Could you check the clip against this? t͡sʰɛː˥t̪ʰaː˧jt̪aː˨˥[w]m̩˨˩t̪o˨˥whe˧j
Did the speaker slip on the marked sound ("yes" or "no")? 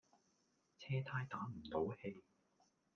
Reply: yes